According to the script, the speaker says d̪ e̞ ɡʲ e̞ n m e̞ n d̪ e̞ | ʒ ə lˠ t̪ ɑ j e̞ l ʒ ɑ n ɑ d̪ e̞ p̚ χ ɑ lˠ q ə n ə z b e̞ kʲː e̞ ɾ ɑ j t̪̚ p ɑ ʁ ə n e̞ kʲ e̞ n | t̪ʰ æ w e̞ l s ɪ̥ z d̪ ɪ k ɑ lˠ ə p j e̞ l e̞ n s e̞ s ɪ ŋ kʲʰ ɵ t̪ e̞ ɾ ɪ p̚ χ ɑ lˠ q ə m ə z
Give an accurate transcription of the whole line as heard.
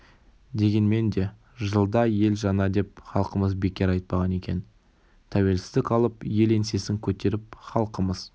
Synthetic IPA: d̪ e̞ ɡʲ e̞ n m e̞ n d̪ e̞ | ʒ ə lˠ d̪ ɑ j e̞ l ʒ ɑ n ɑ d̪ e̞ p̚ χ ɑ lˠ q ə m ə z b e̞ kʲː e̞ ɾ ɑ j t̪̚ p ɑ ʁ ɑ n e̞ kʲ e̞ n | t̪ʰ æ w e̞ l s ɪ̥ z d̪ ɪ k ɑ lˠ ə p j e̞ l e̞ n s e̞ s ɪ ŋ kʲʰ ɵ t̪ e̞ ɾ ɪ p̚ χ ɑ lˠ q ə m ə z